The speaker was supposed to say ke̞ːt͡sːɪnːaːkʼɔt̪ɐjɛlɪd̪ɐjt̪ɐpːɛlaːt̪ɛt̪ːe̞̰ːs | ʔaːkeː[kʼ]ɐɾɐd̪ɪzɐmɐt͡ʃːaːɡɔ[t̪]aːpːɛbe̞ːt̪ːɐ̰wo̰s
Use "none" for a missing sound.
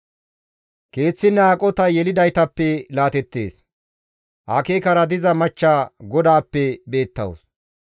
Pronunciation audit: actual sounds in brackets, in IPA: k, d̪

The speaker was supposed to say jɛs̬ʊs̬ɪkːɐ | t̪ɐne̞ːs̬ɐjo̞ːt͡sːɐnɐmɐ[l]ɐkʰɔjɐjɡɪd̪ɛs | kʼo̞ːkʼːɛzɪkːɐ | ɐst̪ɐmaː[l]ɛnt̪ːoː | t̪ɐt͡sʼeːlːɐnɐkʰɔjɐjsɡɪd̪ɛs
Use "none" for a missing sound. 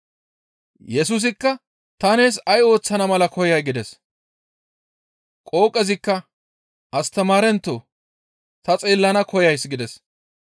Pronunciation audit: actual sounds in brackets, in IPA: l, ɾ

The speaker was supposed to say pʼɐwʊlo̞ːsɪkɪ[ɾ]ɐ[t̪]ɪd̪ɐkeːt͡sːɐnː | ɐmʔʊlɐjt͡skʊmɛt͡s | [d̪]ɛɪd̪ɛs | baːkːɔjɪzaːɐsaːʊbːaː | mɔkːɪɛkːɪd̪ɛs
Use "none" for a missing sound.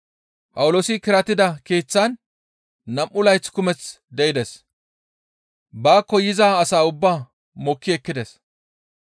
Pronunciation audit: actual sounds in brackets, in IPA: ɾ, t̪, d̪

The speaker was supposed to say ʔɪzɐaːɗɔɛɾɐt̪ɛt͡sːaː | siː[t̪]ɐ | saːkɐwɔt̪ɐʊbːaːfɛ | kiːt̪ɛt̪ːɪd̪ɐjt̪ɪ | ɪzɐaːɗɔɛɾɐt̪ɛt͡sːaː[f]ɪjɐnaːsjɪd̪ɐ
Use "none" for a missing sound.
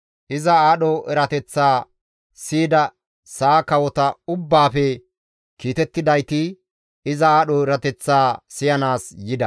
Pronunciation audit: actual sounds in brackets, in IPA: d̪, s

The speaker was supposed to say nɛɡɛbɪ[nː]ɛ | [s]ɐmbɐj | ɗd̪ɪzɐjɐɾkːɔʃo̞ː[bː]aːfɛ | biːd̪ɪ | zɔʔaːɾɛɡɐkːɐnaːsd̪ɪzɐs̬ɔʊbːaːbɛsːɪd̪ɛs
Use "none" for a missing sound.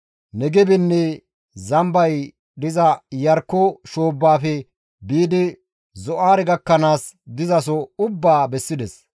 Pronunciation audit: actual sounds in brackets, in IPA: nː, z, bː

